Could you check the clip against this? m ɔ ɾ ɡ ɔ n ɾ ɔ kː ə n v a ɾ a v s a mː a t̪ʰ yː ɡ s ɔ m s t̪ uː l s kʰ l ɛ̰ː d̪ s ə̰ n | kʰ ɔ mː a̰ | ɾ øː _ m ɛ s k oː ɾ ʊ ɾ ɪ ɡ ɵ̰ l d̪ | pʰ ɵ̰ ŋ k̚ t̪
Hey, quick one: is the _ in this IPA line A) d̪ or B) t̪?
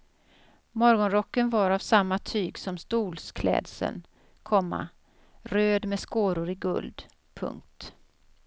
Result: A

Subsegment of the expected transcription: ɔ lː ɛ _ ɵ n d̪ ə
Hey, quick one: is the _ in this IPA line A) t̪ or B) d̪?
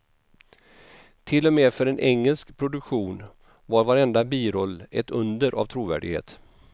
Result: A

